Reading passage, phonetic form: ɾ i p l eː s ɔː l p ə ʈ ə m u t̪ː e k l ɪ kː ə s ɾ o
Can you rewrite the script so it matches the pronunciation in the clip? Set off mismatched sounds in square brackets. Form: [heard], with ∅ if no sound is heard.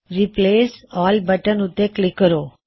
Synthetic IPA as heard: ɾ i p l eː s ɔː l [b] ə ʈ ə [n] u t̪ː e k l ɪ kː ə [∅] ɾ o